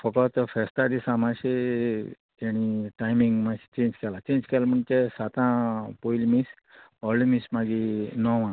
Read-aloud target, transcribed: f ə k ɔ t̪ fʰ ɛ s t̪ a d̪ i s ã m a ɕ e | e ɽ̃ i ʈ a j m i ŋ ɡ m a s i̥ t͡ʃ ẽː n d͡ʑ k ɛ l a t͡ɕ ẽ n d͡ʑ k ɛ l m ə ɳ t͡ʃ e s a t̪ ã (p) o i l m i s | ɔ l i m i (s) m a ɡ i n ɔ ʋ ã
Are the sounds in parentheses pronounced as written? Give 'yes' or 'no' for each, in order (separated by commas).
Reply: yes, yes